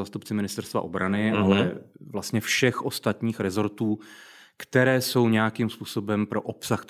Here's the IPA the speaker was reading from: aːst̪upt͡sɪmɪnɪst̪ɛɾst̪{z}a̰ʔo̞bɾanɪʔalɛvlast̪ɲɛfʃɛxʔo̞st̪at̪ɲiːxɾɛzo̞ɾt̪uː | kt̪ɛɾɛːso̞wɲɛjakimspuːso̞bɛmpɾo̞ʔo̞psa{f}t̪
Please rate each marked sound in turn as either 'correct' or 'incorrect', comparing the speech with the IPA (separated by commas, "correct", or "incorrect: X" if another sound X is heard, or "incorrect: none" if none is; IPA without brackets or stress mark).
incorrect: v, incorrect: x